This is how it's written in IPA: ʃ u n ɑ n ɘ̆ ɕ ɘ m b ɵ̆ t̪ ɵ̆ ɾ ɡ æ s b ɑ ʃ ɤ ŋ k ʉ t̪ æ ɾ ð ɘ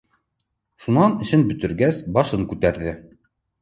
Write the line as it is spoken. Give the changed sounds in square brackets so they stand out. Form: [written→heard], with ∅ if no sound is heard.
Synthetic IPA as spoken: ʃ u n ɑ n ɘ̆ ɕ ɘ [m→n] b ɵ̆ t̪ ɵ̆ ɾ ɡ æ s b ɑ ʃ ɤ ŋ k ʉ t̪ æ ɾ ð ɘ